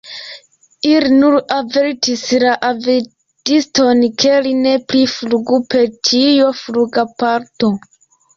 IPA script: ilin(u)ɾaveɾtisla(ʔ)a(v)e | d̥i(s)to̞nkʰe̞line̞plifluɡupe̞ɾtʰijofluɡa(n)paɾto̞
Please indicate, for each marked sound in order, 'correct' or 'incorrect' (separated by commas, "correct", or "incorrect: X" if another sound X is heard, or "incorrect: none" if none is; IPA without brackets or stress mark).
correct, correct, correct, correct, incorrect: none